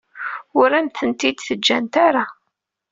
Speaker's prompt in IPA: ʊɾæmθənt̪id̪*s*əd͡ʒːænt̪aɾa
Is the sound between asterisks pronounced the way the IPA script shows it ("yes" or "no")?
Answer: no